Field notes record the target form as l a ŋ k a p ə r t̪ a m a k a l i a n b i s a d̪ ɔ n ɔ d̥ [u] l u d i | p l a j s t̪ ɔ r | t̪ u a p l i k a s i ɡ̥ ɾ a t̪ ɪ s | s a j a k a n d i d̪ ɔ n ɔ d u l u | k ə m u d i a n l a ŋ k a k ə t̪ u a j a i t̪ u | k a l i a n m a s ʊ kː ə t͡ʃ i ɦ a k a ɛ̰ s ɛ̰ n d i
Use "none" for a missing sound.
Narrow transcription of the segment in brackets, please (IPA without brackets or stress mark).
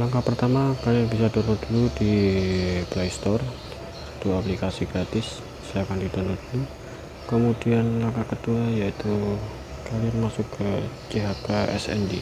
u